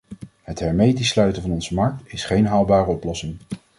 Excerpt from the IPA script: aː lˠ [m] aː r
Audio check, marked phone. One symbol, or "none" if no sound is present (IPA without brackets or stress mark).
b